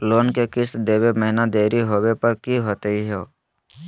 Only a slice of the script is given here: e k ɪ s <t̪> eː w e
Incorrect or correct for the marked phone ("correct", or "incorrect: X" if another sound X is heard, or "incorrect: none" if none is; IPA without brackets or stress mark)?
incorrect: d̪